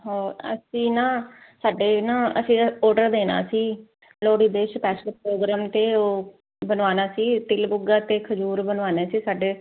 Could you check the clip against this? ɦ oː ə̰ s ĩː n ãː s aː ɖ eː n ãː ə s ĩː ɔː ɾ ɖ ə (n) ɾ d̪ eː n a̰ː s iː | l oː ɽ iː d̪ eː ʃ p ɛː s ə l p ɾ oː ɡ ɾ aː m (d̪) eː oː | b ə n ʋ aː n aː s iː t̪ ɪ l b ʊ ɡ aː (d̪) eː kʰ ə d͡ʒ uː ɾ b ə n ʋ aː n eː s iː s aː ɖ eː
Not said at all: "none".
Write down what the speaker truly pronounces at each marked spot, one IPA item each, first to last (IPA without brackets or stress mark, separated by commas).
none, t̪, t̪